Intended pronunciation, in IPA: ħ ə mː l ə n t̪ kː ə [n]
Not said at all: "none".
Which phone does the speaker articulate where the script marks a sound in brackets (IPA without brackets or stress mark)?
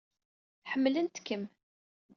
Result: m